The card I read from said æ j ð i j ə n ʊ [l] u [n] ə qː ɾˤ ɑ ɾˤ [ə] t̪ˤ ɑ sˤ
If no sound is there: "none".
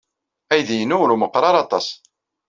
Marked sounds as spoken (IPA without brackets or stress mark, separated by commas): ɾ, m, ɑ